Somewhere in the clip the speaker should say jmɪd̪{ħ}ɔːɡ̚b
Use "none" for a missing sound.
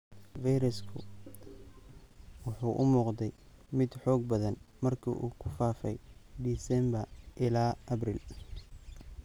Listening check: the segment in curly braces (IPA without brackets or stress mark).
ħ